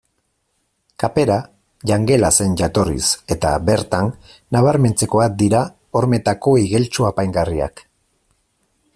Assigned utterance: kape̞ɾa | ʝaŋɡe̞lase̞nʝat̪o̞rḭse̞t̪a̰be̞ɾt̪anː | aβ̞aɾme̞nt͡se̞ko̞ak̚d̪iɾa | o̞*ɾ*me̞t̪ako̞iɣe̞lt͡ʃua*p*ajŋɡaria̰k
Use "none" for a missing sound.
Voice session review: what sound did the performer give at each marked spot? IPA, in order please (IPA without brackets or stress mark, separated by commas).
ɾ, p